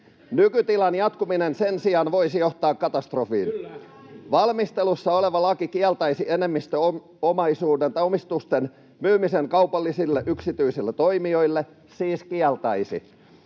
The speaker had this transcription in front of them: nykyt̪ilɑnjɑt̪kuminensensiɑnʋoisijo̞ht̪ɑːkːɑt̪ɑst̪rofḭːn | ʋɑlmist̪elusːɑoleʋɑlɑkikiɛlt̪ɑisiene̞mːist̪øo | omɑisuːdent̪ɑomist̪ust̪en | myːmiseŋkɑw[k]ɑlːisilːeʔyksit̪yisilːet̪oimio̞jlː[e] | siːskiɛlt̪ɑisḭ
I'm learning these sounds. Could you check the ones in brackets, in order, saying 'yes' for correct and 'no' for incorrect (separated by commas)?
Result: no, yes